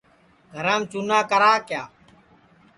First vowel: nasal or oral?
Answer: oral